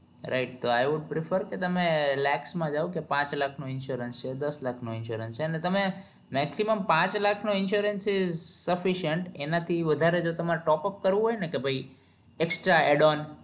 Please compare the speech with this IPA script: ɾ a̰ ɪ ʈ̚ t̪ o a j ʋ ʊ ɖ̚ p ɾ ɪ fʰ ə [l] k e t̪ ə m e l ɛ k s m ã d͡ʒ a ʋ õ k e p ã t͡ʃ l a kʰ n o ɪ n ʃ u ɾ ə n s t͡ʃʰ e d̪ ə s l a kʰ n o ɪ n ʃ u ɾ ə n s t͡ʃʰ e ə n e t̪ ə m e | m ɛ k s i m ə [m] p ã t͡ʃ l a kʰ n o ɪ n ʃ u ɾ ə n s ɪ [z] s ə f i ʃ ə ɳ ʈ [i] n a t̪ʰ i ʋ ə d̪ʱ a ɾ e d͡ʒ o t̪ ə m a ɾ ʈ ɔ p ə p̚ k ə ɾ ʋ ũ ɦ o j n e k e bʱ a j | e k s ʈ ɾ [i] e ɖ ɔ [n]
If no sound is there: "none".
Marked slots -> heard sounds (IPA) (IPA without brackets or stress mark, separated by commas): ɾ, m, z, e, a, n